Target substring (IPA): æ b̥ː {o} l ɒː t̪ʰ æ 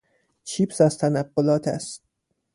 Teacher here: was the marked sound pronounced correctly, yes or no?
yes